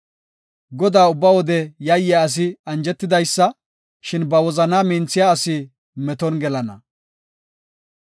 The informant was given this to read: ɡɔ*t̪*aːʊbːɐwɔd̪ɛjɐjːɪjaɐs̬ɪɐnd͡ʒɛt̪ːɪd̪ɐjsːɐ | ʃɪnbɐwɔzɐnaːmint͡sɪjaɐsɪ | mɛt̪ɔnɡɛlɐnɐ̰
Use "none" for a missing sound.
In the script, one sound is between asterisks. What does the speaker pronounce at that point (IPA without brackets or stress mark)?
d̪